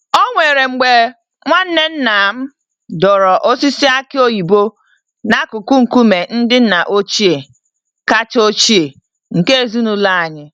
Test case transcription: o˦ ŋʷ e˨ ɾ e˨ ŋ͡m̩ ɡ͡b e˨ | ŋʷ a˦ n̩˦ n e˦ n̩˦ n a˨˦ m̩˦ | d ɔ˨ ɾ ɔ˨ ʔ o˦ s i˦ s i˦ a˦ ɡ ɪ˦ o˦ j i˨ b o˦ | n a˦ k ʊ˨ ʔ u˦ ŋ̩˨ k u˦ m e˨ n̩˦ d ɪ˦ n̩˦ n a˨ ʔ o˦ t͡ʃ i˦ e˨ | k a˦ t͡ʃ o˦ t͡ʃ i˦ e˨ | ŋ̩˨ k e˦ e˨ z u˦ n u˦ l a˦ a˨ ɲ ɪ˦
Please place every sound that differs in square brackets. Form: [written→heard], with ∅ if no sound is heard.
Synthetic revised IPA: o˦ ŋʷ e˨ ɾ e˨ ŋ͡m̩ ɡ͡b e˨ | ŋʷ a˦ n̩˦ n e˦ n̩˦ n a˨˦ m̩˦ | d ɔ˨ ɾ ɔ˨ ʔ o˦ s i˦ s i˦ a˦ [ɡ→k] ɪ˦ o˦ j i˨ b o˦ | n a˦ k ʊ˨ [ʔ→k] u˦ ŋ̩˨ k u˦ m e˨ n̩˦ d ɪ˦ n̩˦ n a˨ ʔ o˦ t͡ʃ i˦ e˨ | k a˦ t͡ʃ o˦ t͡ʃ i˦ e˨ | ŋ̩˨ k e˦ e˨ z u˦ n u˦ l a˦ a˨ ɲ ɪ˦